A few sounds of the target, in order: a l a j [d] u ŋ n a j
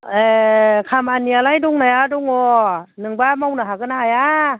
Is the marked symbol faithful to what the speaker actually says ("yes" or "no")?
yes